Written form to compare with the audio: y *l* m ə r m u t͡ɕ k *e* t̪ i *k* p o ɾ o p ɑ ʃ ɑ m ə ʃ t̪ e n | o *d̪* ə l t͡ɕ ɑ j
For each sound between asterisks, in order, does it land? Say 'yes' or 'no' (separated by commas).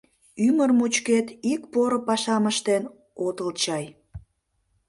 no, yes, yes, no